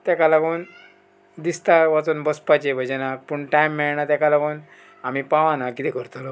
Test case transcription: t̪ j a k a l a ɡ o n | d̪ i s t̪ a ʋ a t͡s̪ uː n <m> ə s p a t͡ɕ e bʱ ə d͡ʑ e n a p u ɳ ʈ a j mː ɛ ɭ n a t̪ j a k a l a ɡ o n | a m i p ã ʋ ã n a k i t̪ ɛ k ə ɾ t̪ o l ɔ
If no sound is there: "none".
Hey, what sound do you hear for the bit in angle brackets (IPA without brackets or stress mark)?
b